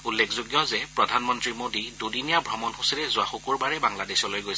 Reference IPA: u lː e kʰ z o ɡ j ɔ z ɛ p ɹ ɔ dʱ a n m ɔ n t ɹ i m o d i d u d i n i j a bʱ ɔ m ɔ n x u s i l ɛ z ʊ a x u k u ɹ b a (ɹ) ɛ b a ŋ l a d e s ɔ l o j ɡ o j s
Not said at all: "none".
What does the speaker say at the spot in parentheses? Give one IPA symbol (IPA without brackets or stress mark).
ɹ